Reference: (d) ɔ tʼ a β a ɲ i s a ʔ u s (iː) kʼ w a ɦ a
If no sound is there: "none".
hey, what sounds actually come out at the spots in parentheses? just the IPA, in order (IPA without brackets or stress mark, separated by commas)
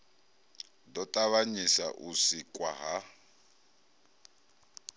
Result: d, i